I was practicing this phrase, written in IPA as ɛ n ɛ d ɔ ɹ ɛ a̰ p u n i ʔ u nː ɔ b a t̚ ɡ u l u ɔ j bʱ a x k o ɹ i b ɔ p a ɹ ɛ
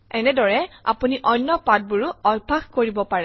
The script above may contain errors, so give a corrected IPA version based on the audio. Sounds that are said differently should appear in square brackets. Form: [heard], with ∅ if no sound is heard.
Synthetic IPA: ɛ n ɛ d ɔ ɹ ɛ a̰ p u n i ʔ [ɔ] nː ɔ [p] a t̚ [b] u [ɹ] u ɔ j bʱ a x k o ɹ i b ɔ p a ɹ ɛ